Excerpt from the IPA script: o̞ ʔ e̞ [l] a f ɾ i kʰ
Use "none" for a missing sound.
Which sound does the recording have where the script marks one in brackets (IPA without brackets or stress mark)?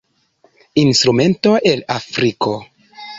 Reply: l